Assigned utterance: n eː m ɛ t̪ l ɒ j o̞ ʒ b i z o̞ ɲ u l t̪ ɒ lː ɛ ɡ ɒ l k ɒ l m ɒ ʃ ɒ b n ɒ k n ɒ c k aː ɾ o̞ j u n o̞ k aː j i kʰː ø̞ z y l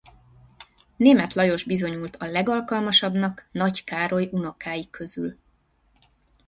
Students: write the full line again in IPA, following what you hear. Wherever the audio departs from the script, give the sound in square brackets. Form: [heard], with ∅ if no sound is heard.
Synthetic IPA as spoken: n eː m ɛ t̪ l ɒ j o̞ ʒ b i z o̞ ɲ u l t̪ ɒ [l] ɛ ɡ ɒ l k ɒ l m ɒ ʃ ɒ b n ɒ k n ɒ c k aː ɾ o̞ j u n o̞ k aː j i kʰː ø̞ z y l